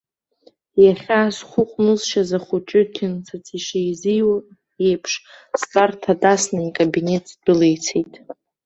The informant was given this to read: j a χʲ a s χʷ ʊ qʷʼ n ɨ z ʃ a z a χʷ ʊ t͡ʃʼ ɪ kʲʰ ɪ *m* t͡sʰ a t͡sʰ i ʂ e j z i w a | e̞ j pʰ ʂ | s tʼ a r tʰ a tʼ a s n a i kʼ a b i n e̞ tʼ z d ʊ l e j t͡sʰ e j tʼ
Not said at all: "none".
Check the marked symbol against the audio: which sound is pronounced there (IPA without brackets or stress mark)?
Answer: n